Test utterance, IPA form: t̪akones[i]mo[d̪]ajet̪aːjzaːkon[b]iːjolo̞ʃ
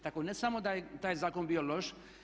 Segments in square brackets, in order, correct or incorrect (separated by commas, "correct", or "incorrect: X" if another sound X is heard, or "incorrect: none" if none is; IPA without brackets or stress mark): incorrect: a, correct, correct